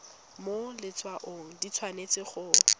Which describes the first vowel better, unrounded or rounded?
rounded